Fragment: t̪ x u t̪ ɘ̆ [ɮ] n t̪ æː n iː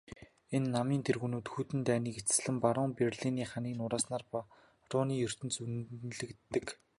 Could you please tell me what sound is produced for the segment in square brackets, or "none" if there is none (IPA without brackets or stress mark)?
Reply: none